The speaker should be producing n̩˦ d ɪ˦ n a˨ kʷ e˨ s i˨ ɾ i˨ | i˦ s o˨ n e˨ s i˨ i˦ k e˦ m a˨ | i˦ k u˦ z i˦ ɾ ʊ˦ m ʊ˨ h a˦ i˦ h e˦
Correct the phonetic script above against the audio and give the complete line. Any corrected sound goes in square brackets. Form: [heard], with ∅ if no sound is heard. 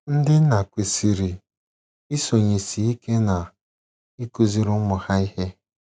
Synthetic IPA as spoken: n̩˦ d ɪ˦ n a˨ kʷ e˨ s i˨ ɾ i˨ | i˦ s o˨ [ɲ] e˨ s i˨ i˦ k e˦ [n] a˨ | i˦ k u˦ z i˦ ɾ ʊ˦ m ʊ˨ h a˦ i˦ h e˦